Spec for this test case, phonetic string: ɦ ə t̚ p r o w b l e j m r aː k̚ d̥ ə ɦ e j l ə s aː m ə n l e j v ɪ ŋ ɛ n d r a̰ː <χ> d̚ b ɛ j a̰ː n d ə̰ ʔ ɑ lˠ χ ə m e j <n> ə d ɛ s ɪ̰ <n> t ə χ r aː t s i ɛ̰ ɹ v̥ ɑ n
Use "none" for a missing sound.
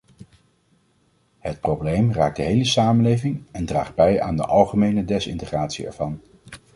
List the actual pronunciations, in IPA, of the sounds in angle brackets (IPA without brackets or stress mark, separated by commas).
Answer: χ, n, n